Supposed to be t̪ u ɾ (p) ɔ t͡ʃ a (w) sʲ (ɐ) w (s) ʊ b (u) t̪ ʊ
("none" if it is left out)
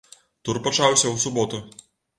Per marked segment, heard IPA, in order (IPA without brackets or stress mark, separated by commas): p, w, ɐ, s, ɔ